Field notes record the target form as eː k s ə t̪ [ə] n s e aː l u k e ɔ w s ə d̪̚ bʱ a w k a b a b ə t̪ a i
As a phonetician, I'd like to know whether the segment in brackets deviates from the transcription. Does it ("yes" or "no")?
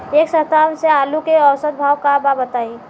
yes